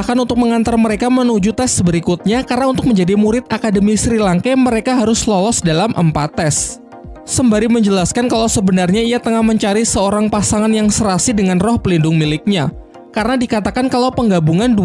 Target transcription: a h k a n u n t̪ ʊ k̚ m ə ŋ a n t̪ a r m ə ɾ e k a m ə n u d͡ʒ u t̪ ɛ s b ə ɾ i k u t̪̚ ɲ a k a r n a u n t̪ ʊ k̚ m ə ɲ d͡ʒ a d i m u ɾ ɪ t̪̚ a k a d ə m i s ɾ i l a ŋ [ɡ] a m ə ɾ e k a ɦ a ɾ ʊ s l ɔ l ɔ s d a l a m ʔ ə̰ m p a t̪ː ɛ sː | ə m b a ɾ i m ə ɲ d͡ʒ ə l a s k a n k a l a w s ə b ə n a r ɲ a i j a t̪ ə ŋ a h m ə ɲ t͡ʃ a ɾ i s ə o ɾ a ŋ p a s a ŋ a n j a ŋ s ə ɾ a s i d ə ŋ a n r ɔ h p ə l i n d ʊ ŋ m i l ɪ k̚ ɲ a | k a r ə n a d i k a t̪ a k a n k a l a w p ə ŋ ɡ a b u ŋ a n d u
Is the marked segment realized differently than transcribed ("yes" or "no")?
yes